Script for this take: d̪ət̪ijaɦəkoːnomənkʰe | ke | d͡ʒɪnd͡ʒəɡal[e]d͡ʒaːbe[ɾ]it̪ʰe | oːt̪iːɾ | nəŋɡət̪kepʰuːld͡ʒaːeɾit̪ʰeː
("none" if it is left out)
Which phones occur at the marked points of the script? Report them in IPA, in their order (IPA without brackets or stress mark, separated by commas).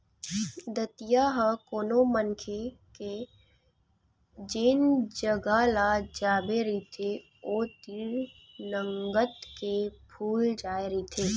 a, ɾ